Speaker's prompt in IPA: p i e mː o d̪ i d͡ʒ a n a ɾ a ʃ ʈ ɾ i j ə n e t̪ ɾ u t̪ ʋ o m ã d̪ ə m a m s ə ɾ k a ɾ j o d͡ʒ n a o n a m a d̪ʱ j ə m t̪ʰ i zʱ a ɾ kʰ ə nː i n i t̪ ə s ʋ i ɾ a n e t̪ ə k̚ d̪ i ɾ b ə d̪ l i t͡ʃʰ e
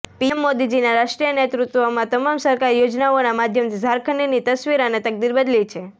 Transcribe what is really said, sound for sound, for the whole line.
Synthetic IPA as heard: p i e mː o d̪ i d͡ʒ i n a ɾ a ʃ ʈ ɾ i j ə n e t̪ ɾ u t̪ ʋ o m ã t̪ ə m a m s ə ɾ k a ɾ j o d͡ʒ n a o n a m a d̪ʱ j ə m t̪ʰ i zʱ a ɾ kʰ ə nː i n i t̪ ə s ʋ i ɾ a n e t̪ ə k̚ d̪ i ɾ b ə d̪ l i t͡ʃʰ e